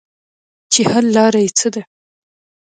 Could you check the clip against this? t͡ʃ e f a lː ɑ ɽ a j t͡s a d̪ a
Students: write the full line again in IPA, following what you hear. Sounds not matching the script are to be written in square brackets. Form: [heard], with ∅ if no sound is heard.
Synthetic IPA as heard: t͡ʃ e [h] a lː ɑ [ɾ] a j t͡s [ə] d̪ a

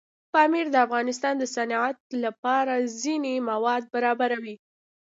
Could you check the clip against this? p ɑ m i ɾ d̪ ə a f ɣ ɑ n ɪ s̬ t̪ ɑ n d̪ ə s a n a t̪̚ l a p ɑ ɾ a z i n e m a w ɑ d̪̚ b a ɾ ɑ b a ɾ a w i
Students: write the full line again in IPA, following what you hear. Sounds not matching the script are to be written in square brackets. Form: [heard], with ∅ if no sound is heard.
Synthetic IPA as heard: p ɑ m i ɾ d̪ ə a f ɣ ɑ n ɪ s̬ t̪ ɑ n d̪ ə s a n a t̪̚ l a p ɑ ɾ a z i n e m a w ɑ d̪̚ b a ɾ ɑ b a ɾ a w i

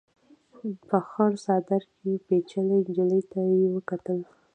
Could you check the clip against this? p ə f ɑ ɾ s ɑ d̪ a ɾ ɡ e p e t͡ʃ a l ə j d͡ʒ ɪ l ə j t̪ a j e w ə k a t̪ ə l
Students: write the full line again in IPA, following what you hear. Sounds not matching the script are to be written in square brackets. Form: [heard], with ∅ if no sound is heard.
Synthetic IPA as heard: p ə [x] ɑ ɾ s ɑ d̪ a ɾ [k] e p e t͡ʃ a l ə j d͡ʒ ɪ l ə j t̪ a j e w ə k a t̪ ə l

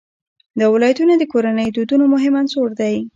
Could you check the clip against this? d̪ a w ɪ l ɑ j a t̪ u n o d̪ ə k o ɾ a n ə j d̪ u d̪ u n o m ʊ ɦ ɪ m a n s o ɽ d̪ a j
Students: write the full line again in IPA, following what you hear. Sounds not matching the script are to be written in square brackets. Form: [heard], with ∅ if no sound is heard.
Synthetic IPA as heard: d̪ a w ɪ l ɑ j a t̪ u n o d̪ ə k o ɾ a n ə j d̪ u d̪ u n o m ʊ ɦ ɪ m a n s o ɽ d̪ a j

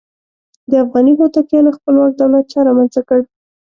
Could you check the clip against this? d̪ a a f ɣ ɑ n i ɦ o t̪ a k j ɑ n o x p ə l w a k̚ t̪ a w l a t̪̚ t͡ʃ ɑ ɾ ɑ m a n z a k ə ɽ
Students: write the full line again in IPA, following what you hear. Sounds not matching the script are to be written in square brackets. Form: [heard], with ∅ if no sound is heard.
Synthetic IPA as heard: d̪ [ə] a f ɣ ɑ n i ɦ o t̪ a k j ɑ n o x p ə l w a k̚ [d̪] a w l a t̪̚ t͡ʃ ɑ ɾ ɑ m a n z a k ə ɽ

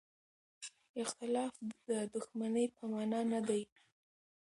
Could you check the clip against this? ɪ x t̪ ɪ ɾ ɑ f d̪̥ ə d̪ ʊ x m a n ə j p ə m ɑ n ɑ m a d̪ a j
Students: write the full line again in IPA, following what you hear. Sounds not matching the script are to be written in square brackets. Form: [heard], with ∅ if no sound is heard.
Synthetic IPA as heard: ɪ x t̪ ɪ [l] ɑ f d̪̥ ə d̪ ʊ x m a n ə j p ə m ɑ n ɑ [n] a d̪ a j

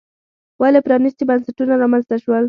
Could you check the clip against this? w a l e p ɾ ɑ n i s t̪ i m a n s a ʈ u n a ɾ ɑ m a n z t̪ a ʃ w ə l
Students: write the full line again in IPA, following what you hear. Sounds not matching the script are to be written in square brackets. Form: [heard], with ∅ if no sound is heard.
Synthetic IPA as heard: w a l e p ɾ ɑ n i s t̪ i [b] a n s a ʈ u n a ɾ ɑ m a n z t̪ a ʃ w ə l

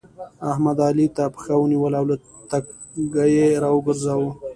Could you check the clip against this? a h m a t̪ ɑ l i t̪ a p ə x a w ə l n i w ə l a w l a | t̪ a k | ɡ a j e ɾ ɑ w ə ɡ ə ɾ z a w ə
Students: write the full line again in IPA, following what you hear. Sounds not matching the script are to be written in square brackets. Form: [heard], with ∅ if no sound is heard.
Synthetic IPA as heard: a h m a [d̪] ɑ l i t̪ a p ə x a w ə [∅] n i w ə l a w l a | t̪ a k | ɡ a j e ɾ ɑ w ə ɡ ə ɾ z a w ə

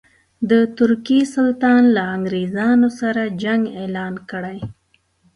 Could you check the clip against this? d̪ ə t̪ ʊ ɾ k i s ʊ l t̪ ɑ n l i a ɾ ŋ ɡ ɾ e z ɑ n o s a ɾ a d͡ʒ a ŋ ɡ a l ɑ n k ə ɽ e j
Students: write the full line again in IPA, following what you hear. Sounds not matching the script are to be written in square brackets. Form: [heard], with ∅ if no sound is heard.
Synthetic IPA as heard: d̪ ə t̪ ʊ ɾ k i s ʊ l t̪ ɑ n l [a] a [∅] ŋ ɡ ɾ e z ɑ n o s a ɾ a d͡ʒ a ŋ ɡ [e] l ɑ n k ə ɽ [a] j

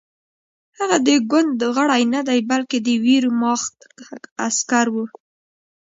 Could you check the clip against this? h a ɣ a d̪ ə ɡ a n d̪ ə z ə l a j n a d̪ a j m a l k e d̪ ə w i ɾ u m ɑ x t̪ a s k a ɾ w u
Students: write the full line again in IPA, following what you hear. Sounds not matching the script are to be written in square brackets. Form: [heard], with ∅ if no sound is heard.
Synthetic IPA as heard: h a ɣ a d̪ ə ɡ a n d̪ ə [ɣ] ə [ɽ] a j n a d̪ a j [b] a l k e d̪ ə w i ɾ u m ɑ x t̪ a s k a ɾ w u

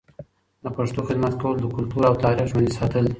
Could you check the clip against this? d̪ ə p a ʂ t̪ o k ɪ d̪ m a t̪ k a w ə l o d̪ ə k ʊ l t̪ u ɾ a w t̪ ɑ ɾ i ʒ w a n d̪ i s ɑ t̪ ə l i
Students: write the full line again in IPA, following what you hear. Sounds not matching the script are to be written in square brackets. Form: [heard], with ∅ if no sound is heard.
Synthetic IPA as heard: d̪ ə p a ʂ t̪ o [x] ɪ d̪ m a t̪ k a w ə l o d̪ ə k ʊ l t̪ u ɾ a w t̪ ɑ ɾ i ʒ w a n d̪ i s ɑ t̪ ə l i

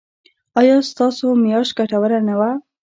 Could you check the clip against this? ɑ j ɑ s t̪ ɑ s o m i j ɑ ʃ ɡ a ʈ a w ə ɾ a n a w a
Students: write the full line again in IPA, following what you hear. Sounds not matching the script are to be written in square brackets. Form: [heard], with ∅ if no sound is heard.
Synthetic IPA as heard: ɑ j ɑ s t̪ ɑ s o m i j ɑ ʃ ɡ a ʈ a w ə ɾ a n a w a

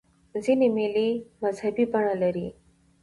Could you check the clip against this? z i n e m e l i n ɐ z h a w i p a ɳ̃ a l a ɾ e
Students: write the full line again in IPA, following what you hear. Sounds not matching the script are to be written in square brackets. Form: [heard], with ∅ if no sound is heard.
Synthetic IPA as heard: z i n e m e l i [m] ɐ z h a [b] i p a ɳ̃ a l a ɾ [i]

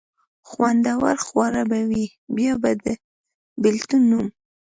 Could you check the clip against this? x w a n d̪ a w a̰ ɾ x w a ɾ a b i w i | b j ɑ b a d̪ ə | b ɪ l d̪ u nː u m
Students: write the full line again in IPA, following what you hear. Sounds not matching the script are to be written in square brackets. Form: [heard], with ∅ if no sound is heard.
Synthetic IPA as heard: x w a n d̪ a w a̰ ɾ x w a ɾ a b [a] w i | b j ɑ b a d̪ ə | b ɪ l [t̪] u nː u m

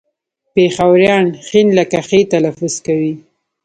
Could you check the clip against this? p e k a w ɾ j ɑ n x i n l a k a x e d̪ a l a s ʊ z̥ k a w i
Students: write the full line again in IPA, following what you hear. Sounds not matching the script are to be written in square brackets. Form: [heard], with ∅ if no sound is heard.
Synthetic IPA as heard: p e [x] a w ɾ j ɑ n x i n l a k a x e [t̪] a l a [f] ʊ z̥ k a w i

